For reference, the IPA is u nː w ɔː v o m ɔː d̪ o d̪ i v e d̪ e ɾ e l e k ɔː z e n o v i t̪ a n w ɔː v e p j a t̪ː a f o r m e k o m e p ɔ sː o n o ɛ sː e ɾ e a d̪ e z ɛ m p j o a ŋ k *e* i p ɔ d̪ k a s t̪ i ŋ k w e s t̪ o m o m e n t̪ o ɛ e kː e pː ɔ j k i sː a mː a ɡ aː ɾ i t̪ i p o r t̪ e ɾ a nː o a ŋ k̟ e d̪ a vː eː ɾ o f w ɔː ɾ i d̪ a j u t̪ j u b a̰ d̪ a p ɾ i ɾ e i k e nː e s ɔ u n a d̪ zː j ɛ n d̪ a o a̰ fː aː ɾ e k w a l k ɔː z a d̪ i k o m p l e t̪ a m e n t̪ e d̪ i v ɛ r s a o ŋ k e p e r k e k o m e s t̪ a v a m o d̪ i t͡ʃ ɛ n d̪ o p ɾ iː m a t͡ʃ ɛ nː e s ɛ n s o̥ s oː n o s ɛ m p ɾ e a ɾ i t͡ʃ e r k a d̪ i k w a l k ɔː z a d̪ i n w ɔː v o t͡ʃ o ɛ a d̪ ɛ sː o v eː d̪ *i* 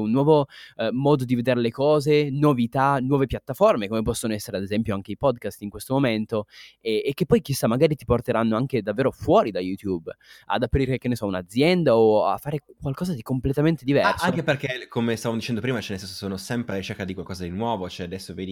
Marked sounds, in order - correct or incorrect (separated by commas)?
correct, correct